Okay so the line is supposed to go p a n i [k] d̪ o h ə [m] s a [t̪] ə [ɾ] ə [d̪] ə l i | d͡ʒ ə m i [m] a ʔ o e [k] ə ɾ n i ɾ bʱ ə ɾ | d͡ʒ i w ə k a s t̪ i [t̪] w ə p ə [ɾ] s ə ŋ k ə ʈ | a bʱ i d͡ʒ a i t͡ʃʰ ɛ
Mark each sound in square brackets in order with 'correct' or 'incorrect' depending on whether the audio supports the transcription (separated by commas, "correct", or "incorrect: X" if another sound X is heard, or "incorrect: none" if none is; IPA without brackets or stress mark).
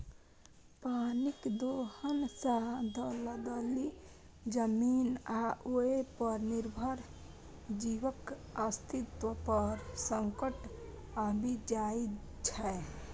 correct, incorrect: n, incorrect: d̪, incorrect: l, correct, incorrect: n, incorrect: p, correct, correct